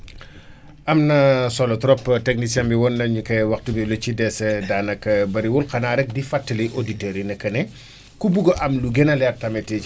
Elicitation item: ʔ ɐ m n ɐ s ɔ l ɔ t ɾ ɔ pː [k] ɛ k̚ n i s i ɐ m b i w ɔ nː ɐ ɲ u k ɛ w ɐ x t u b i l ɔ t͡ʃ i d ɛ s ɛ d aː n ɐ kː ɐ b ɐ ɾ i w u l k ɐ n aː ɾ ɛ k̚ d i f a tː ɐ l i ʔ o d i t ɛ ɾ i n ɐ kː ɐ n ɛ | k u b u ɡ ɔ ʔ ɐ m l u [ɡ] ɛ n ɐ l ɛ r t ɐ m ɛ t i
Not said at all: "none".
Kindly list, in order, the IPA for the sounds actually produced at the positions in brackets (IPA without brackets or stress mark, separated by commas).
t, ɡ